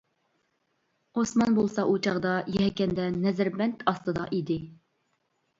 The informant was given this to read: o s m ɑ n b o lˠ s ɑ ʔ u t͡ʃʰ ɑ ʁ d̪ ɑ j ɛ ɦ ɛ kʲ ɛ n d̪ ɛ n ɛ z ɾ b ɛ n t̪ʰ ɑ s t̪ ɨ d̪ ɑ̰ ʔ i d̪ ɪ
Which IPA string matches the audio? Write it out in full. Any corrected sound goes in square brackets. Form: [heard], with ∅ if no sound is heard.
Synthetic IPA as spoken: o s m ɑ n b o lˠ s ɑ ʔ u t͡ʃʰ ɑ ʁ d̪ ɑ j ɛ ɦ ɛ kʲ ɛ n d̪ ɛ n ɛ z ɾ b ɛ n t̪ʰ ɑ s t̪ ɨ d̪ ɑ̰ ʔ i d̪ ɪ